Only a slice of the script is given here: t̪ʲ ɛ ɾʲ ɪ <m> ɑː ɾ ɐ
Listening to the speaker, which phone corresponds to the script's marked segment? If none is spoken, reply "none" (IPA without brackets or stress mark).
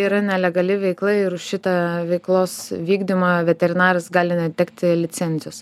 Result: n